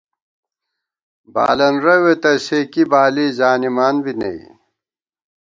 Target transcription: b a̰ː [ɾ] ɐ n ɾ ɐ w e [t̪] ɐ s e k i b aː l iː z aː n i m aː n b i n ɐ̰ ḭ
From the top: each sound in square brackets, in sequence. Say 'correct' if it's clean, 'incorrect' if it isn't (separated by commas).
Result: incorrect, correct